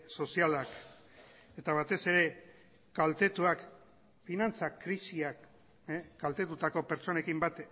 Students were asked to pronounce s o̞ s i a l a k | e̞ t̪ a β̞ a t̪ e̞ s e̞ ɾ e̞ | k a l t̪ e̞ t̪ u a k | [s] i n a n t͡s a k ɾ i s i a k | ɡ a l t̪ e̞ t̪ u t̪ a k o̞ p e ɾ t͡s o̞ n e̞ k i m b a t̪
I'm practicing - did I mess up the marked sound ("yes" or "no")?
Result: yes